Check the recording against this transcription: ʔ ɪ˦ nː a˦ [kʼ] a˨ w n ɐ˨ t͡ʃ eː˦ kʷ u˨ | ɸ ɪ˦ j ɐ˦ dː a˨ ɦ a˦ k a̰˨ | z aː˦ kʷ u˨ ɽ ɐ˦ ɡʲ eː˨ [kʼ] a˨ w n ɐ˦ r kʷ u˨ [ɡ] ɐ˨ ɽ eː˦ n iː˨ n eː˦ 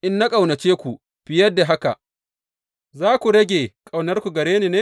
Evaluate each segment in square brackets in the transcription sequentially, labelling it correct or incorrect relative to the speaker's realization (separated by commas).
correct, correct, correct